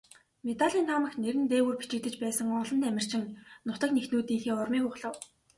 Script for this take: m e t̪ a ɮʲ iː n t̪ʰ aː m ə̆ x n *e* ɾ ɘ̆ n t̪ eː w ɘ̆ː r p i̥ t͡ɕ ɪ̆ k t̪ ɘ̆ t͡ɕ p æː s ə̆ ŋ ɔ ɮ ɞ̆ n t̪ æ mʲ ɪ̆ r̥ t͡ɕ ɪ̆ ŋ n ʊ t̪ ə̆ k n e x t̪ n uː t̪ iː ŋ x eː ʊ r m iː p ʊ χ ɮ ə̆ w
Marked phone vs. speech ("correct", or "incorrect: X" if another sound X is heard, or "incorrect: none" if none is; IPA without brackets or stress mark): correct